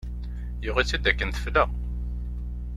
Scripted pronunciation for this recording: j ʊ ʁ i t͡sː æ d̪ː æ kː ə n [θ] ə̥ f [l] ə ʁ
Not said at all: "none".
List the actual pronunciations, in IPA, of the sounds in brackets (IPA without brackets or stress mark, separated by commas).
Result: θ, l